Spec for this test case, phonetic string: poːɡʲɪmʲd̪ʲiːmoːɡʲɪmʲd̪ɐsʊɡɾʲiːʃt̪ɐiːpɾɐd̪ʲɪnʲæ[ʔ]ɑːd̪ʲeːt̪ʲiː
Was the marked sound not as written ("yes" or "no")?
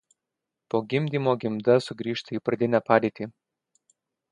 yes